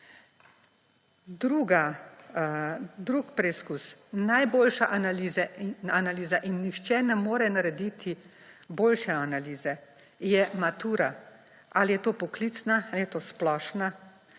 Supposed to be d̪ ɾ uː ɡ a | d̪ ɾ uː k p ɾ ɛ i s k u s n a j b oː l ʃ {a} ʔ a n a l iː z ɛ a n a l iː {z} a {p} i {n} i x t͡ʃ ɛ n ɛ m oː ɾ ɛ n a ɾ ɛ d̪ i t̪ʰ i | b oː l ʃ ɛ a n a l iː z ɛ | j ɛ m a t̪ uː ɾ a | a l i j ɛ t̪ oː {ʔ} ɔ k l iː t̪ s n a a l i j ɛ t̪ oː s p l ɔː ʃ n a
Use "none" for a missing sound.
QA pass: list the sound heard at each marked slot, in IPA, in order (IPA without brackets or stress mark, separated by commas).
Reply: a, z, ʔ, nː, p